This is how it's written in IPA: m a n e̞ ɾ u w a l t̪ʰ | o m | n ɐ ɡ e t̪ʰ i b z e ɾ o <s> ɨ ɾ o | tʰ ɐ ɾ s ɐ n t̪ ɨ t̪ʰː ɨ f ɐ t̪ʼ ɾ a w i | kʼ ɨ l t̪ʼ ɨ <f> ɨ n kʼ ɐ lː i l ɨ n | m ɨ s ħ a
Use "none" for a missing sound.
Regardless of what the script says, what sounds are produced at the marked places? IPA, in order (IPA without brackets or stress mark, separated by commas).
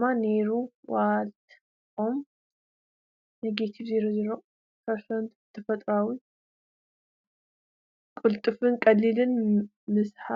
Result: z, f